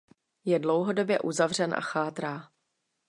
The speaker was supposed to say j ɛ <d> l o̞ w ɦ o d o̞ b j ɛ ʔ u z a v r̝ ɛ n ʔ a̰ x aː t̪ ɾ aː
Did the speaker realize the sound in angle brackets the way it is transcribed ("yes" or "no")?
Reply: yes